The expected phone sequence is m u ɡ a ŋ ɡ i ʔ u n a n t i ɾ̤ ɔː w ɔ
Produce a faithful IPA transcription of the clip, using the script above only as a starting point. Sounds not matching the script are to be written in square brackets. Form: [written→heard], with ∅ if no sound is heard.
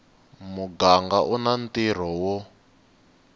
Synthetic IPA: m u ɡ a ŋ ɡ [i→a] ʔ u n a n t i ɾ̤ [ɔː→ɔ] w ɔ